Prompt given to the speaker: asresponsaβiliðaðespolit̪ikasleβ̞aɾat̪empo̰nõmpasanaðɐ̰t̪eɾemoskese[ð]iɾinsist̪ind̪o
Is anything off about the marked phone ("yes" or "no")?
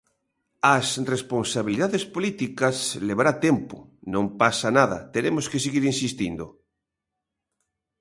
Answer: yes